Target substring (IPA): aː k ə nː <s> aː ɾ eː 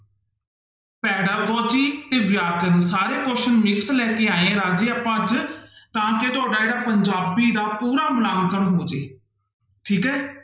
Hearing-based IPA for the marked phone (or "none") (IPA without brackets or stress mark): s